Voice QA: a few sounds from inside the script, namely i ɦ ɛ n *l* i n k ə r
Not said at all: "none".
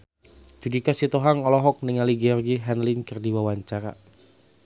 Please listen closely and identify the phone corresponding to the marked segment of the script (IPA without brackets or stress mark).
l